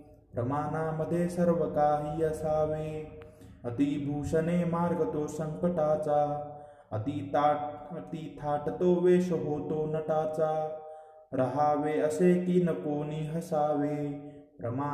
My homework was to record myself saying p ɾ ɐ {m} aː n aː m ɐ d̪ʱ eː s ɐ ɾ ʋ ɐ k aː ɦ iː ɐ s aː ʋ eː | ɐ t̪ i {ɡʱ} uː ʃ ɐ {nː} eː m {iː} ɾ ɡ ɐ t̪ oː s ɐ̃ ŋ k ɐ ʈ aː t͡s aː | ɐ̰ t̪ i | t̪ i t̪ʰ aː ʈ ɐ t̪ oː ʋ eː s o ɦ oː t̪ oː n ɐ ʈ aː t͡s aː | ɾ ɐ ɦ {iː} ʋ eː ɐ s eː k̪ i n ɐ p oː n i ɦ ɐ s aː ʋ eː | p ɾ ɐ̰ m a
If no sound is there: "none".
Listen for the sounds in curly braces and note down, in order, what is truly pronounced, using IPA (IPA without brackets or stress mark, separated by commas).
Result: m, bʱ, n, aː, aː